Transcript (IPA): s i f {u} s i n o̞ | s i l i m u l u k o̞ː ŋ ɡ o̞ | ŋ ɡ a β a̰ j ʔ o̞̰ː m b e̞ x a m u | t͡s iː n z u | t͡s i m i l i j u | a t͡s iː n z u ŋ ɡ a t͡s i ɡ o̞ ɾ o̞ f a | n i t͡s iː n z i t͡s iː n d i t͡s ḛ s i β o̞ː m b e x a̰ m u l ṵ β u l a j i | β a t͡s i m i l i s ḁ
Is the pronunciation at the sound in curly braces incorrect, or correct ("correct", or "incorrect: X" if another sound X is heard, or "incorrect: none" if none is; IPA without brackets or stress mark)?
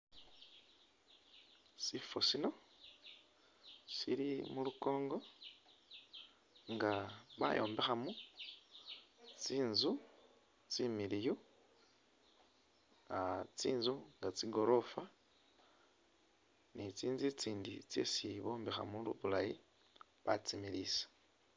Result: incorrect: o